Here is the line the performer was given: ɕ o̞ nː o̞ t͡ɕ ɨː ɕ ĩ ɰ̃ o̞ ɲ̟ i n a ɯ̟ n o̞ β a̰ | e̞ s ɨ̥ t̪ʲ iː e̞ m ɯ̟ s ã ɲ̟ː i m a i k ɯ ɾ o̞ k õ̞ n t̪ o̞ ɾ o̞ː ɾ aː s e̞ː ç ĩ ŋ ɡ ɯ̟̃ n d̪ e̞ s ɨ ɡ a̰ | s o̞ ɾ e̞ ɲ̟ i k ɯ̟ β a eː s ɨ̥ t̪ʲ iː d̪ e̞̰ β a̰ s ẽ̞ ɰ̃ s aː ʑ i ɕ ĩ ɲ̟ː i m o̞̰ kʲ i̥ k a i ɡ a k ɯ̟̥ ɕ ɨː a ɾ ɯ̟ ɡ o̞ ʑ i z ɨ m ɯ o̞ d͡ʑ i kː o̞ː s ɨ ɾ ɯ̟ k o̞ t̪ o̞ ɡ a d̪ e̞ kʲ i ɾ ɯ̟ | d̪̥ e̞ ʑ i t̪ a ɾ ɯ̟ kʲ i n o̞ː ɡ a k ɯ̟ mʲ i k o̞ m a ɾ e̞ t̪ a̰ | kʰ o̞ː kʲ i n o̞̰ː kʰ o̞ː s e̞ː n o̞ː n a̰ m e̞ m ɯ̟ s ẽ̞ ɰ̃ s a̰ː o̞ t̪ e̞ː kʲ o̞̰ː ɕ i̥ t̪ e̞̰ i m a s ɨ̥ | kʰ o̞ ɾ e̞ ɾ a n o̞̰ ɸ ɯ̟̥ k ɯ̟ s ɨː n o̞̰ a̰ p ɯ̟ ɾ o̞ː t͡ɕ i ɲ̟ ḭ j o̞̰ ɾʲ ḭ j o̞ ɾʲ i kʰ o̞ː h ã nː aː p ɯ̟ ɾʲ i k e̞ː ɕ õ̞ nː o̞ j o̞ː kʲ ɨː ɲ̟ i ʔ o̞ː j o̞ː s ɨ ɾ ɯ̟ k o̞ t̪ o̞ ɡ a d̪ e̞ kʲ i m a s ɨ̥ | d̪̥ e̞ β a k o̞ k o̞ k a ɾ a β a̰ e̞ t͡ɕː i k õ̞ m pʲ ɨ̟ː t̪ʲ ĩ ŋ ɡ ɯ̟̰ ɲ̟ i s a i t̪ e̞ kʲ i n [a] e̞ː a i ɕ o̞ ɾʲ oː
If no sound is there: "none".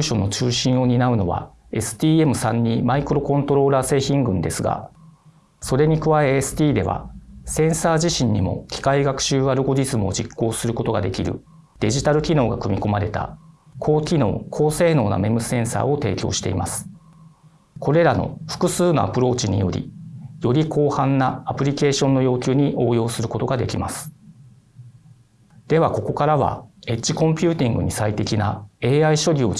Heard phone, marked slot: a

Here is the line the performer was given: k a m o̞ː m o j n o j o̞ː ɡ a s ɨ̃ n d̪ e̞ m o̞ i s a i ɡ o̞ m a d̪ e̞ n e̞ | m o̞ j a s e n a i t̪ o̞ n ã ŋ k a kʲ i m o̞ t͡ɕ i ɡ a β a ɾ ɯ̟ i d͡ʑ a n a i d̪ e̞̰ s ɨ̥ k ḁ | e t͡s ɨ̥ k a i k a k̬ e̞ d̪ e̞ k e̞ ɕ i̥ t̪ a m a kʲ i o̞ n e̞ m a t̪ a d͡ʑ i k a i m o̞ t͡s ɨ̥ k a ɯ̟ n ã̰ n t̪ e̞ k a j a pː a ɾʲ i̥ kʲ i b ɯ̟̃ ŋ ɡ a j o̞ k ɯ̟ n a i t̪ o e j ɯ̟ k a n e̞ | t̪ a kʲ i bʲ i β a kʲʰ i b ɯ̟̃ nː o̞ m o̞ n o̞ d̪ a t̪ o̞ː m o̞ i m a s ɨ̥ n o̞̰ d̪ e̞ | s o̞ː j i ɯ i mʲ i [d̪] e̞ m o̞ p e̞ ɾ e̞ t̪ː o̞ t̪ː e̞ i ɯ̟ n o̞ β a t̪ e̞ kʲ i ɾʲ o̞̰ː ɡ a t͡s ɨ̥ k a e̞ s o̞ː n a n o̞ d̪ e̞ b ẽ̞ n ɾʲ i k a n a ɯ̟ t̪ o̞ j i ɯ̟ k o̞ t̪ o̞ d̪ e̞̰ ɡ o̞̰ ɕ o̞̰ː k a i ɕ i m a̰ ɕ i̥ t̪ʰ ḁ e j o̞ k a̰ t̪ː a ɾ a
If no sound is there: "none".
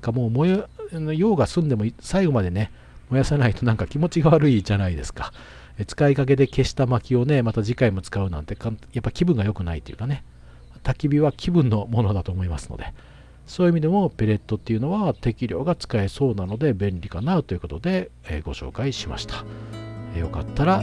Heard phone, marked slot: d̪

